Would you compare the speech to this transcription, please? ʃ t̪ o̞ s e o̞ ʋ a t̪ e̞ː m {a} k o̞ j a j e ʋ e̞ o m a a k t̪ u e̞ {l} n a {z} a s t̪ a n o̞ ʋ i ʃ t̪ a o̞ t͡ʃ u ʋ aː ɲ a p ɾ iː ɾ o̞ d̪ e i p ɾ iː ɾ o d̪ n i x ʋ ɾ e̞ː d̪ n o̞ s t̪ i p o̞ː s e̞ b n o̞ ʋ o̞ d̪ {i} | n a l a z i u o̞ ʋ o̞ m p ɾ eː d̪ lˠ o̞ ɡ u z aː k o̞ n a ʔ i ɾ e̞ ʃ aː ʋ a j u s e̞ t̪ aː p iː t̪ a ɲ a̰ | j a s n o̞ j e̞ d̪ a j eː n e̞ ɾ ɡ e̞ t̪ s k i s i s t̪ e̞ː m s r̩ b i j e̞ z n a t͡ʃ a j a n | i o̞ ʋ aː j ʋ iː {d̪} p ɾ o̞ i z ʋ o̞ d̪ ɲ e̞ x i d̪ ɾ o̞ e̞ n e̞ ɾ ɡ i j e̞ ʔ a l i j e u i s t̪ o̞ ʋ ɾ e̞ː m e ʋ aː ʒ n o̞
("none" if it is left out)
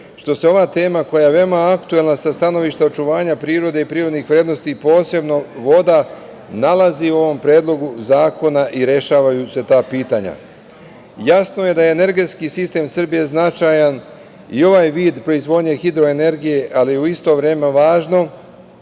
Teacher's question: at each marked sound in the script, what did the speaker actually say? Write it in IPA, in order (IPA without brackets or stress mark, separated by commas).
a, l, s, a, d̪